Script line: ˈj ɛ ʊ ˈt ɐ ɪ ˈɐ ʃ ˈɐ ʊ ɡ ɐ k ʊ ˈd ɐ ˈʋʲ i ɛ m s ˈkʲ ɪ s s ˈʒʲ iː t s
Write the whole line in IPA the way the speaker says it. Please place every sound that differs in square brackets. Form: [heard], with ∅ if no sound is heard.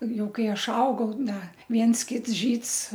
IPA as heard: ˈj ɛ ʊ [ˈk] ɐ ɪ ˈɐ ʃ ˈɐ ʊ ɡ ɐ [∅] ʊ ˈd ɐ ˈʋʲ i ɛ [n] s ˈkʲ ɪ [t] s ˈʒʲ iː t s